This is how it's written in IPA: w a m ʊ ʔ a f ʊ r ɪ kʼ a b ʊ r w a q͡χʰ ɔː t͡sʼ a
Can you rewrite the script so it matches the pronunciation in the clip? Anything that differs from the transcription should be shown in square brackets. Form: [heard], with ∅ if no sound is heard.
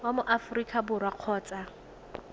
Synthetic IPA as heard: w a m ʊ ʔ a f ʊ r [i] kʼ a b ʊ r w a q͡χʰ ɔː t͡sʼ a

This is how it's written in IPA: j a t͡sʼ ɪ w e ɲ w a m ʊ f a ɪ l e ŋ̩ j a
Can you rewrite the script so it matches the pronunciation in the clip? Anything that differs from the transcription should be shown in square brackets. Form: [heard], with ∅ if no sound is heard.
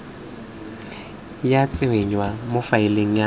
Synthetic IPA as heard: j a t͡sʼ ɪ w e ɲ w a m ʊ f a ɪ l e ŋ̩ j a

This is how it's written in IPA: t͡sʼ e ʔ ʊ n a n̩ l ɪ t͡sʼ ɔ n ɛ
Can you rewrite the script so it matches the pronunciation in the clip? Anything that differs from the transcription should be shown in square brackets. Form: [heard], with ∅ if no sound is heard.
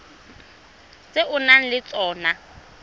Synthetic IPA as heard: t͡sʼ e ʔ ʊ n a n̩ l ɪ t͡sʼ [ɔː] n [a]

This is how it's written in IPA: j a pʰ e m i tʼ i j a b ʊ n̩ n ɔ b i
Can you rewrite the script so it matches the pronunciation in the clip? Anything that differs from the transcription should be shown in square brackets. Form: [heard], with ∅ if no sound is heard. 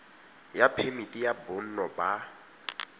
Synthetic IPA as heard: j a pʰ e m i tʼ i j a b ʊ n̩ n ɔ b [a]

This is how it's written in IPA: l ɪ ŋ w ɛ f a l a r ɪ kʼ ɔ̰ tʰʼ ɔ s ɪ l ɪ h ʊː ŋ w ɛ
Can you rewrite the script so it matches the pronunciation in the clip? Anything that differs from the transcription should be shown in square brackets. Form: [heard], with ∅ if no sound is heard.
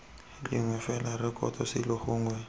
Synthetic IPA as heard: l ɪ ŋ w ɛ f [ɛ] l a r ɪ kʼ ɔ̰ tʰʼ ɔ s ɪ l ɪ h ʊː ŋ w ɛ

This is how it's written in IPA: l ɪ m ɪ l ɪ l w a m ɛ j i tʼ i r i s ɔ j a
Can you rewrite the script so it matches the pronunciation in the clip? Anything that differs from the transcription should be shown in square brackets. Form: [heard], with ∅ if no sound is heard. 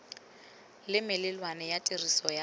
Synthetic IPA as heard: l ɪ m ɪ l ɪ l w a [n] ɛ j [a] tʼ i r i s ɔ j a

